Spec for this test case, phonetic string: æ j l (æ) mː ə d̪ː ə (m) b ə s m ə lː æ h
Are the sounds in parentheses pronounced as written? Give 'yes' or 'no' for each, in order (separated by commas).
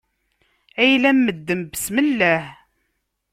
yes, yes